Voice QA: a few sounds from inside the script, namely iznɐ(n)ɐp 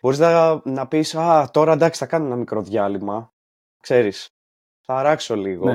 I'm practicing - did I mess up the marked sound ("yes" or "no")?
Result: no